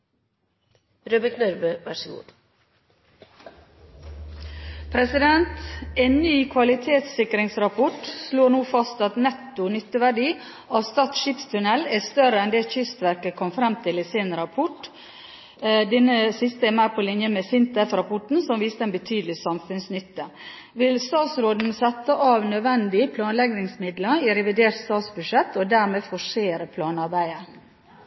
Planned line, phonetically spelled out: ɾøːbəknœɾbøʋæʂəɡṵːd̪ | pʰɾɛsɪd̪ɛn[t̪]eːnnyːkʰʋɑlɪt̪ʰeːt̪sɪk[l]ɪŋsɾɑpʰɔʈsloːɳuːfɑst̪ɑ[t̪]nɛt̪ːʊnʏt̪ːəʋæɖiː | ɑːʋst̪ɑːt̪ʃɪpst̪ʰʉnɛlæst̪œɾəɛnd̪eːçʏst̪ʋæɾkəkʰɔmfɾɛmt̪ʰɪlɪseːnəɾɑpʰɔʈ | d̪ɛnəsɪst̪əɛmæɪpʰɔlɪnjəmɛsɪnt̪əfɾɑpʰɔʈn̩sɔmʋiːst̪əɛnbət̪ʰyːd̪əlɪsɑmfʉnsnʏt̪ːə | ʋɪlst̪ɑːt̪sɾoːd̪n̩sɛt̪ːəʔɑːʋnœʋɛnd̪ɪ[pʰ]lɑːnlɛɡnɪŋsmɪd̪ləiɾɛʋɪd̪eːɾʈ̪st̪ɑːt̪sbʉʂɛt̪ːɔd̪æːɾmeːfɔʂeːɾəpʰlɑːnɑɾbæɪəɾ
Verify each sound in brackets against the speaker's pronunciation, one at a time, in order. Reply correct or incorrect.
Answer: correct, incorrect: ɾ, correct, correct

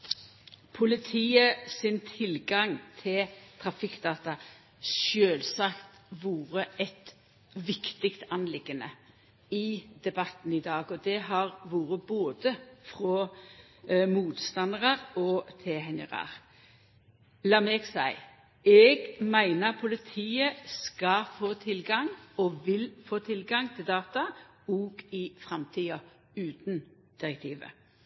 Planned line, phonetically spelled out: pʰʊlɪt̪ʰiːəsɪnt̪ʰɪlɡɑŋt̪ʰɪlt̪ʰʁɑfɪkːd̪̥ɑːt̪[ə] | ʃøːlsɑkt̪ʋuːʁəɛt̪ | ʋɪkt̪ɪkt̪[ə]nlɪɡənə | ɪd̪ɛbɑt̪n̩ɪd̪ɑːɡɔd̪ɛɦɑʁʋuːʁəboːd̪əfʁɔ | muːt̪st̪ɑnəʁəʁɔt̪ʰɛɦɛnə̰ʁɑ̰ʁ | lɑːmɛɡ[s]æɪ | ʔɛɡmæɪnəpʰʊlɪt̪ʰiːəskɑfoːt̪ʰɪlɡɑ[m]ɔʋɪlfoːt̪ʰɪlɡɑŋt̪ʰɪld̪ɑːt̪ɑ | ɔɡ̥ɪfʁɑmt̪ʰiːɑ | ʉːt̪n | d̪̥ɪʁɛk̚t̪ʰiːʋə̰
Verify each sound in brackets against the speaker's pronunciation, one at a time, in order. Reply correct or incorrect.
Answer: incorrect: ɑ, incorrect: ɑ, correct, incorrect: ŋ

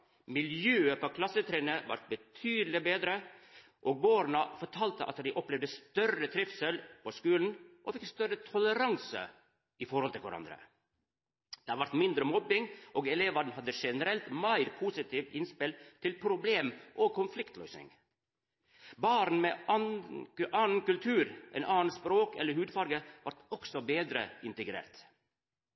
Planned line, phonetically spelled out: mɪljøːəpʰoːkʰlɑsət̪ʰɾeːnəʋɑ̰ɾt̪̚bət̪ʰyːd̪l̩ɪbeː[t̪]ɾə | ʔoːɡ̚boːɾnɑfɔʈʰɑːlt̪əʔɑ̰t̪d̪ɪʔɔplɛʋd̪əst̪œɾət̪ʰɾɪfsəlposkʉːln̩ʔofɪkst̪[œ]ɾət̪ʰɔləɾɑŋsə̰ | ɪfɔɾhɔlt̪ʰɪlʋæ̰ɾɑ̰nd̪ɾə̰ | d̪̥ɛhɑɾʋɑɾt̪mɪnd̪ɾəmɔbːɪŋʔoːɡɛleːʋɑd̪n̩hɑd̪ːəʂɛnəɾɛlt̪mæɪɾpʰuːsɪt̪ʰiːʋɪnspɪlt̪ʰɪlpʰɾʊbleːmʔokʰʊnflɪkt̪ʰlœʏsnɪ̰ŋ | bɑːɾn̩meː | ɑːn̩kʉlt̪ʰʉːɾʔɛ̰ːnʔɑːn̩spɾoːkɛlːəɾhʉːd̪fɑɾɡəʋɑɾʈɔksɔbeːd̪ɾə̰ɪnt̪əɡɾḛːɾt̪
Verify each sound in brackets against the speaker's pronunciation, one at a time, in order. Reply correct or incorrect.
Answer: incorrect: d̪, correct

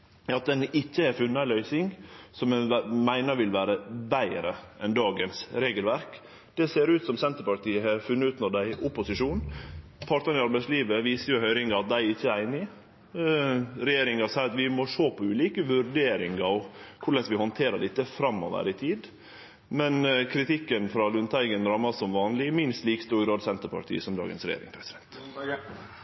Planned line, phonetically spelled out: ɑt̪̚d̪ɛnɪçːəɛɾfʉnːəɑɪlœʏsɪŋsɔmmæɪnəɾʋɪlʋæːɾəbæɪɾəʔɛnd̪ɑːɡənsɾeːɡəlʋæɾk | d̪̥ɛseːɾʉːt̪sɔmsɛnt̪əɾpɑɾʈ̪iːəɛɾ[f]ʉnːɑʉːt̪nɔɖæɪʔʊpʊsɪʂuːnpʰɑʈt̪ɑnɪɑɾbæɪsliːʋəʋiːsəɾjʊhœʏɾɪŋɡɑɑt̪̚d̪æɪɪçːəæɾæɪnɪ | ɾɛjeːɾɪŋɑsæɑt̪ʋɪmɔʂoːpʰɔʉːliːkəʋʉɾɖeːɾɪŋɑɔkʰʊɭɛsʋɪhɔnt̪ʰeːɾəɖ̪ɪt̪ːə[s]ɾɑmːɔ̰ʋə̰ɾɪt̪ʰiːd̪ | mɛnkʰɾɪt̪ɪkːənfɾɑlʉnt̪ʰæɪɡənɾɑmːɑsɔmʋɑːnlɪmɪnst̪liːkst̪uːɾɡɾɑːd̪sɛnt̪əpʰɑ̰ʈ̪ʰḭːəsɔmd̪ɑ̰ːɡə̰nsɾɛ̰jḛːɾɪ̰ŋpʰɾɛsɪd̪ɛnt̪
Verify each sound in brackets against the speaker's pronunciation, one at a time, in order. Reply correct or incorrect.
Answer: correct, incorrect: f

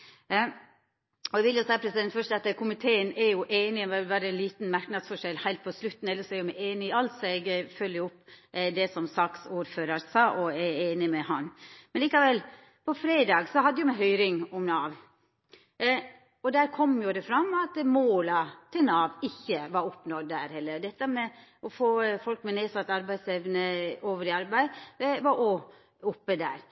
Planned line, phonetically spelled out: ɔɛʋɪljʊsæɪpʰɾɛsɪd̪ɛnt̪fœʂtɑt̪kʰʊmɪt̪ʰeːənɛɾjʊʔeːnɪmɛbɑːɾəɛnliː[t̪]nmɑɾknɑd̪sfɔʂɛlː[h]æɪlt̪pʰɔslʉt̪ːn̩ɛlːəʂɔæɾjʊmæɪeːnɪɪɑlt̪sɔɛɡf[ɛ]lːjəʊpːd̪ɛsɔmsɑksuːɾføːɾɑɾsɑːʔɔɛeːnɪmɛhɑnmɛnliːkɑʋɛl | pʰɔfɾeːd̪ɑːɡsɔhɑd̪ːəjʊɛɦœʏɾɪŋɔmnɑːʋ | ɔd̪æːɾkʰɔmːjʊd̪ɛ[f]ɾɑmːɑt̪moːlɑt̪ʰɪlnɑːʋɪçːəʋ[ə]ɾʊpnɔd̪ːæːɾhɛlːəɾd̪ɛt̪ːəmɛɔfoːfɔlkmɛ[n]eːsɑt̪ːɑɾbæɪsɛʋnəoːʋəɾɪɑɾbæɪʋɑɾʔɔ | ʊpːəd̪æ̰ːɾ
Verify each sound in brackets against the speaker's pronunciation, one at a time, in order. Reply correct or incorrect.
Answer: correct, correct, incorrect: œ, correct, incorrect: ɑ, correct

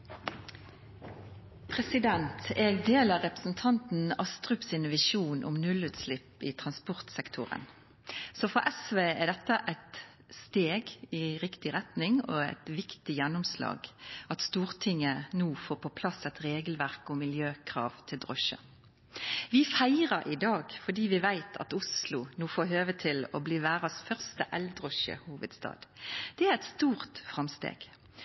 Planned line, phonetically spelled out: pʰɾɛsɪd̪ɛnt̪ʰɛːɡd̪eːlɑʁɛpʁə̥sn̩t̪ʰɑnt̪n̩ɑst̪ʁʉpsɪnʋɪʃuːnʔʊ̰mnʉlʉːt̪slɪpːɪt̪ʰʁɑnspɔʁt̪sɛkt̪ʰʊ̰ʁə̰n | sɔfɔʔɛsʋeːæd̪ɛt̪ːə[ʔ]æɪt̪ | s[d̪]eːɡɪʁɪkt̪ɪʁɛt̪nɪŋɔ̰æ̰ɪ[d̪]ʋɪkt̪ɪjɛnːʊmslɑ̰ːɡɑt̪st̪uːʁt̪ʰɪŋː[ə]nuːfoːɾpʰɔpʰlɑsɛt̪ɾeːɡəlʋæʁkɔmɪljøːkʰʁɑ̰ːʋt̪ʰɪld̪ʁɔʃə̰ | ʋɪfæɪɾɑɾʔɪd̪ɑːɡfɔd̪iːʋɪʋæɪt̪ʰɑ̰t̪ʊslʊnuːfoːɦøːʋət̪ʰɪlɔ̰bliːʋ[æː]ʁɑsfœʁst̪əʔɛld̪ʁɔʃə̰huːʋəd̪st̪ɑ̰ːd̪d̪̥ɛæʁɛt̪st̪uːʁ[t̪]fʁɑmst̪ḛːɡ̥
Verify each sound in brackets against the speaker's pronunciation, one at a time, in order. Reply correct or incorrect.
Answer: correct, incorrect: t̪, incorrect: t̪, correct, correct, correct

